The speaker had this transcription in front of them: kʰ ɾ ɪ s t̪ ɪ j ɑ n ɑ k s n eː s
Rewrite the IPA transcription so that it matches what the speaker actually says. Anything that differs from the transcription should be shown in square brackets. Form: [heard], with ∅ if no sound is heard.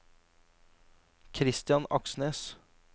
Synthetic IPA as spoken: kʰ ɾ ɪ s t̪ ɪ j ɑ n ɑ k s n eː s